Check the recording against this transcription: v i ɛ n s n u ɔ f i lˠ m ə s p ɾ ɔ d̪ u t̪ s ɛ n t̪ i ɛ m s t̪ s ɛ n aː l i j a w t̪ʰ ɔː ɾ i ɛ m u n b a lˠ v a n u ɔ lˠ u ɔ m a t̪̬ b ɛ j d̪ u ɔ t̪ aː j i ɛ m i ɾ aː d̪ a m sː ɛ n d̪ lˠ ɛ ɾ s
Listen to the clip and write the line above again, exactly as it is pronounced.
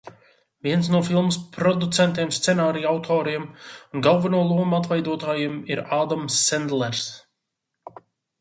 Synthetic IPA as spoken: v i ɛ n s n u ɔ f i lˠ m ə s p ɾ ɔ d̪ u t̪ s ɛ n t̪ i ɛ m s t̪ s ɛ n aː ɾ i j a w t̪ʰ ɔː ɾ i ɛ m u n ɡ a lˠ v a n u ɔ lˠ u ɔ m a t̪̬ v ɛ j d̪ u ɔ t̪ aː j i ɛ m i ɾ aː d̪ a m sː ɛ n d̪ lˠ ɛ ɾ s